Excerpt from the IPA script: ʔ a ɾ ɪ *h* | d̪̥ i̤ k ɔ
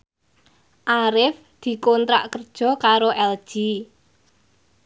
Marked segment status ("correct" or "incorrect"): incorrect